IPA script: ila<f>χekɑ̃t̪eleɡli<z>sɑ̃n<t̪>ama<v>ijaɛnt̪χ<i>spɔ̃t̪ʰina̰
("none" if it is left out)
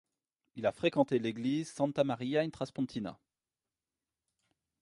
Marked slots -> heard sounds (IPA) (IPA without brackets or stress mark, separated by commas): f, z, t̪, ʁ, a